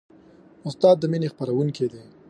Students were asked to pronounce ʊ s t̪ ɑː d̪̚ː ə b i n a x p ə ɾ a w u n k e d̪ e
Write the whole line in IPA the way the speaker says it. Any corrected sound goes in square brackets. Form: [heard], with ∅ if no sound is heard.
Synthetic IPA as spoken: ʊ s t̪ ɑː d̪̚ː ə [m] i n [e] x p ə ɾ a w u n k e d̪ e